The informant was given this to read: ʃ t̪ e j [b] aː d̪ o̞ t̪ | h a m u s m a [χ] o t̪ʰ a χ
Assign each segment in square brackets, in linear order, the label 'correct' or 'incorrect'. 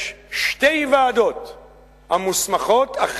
incorrect, correct

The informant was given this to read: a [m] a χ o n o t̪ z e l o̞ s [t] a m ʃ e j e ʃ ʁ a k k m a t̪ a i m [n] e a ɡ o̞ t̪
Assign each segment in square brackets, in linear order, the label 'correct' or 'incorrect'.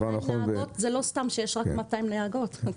incorrect, correct, correct

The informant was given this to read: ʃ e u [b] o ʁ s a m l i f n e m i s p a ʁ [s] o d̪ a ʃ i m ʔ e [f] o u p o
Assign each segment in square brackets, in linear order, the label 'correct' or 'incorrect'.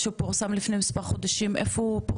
incorrect, incorrect, correct

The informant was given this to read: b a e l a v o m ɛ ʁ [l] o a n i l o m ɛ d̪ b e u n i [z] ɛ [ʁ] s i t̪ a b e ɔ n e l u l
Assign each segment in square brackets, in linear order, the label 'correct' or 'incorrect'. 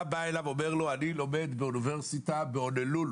correct, incorrect, correct

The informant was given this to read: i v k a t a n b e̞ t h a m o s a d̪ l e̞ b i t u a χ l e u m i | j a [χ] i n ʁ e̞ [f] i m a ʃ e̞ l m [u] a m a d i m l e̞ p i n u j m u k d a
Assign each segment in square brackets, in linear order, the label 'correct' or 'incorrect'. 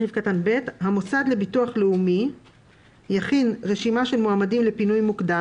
correct, incorrect, incorrect

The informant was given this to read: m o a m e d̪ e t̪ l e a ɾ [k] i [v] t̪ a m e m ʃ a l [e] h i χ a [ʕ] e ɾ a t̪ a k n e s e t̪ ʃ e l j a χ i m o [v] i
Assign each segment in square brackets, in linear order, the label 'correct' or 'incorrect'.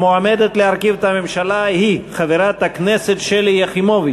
correct, correct, incorrect, incorrect, correct

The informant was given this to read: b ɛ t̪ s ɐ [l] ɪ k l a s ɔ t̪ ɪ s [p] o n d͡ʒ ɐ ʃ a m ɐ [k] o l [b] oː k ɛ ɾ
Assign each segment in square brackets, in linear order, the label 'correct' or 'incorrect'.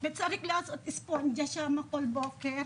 incorrect, correct, correct, correct

